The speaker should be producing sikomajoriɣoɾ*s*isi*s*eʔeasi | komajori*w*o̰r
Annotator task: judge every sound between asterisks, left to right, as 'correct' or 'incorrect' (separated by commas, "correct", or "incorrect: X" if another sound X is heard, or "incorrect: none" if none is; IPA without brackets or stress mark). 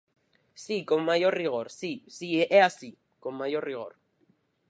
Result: correct, incorrect: none, incorrect: ɣ